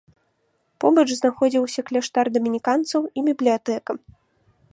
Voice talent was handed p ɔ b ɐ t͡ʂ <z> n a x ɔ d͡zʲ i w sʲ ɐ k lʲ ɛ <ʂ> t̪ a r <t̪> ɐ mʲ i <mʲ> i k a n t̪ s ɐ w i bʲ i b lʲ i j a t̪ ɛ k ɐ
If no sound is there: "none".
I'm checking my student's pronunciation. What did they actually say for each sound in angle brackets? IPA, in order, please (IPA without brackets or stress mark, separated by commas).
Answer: z, ʂ, d̪, nʲ